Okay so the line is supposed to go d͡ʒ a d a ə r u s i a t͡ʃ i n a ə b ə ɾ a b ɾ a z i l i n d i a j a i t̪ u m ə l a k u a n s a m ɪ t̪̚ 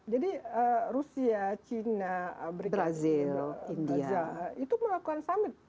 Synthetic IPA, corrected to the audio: d͡ʒ a d i ə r u s i a t͡ʃ i n a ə b ə ɾ i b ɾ a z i l i n d i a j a i t̪ u m ə l a k u a n s a m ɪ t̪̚